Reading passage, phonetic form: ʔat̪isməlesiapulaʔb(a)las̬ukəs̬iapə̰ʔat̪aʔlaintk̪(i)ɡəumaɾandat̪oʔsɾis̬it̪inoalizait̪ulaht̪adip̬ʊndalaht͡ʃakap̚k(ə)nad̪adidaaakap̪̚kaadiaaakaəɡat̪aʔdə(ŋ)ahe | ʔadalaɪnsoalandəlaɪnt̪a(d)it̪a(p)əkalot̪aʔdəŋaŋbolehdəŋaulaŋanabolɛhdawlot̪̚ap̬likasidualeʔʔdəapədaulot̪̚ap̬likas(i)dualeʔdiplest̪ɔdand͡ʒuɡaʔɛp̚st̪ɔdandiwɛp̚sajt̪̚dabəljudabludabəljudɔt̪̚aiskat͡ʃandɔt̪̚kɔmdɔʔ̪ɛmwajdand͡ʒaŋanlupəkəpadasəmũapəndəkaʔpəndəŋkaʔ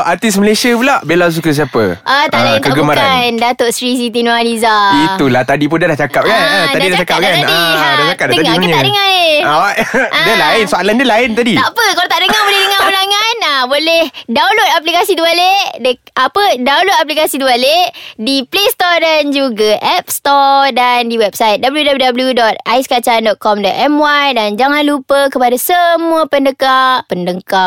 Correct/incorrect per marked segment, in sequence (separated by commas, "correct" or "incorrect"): incorrect, incorrect, incorrect, correct, correct, correct, correct